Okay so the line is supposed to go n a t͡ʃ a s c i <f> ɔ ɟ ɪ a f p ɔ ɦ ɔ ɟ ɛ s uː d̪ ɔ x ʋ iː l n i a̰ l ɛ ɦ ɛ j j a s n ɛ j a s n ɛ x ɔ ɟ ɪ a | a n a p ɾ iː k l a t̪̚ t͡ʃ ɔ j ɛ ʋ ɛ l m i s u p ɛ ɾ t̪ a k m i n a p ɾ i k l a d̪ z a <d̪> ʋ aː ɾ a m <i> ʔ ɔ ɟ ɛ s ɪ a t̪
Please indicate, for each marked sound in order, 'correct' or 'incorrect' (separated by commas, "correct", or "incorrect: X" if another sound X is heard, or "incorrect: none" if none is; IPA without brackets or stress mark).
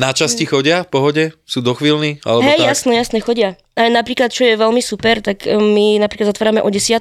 incorrect: x, incorrect: t̪, incorrect: ɛ